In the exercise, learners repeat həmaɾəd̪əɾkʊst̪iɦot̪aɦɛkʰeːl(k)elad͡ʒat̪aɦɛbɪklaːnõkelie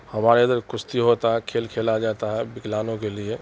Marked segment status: incorrect: kʰ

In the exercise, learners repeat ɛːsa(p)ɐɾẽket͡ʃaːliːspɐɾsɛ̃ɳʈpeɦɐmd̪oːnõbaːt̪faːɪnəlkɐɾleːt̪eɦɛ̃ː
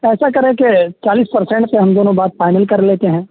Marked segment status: incorrect: k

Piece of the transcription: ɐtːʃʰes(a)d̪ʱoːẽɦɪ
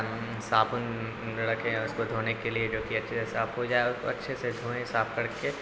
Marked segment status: incorrect: e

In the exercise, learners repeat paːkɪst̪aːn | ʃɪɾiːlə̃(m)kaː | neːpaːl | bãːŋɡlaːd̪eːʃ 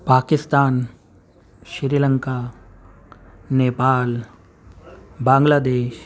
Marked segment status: incorrect: ŋ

